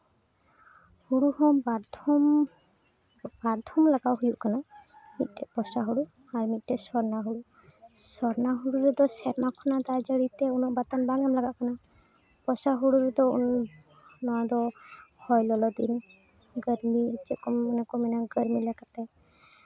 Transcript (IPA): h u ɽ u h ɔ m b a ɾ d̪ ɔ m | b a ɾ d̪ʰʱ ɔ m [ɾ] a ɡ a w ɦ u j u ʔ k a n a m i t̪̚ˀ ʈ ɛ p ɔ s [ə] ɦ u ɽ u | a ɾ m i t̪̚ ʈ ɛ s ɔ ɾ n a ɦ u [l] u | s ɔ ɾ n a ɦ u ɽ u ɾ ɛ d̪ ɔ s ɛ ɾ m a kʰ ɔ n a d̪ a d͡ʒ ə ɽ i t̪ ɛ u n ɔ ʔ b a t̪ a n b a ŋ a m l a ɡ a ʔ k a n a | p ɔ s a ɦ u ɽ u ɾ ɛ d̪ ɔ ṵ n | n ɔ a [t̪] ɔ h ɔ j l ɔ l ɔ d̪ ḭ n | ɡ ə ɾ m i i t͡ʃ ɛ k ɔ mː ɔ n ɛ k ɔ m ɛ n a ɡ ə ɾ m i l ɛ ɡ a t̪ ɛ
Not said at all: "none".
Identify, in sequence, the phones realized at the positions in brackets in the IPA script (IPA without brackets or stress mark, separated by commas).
l, a, ɽ, d̪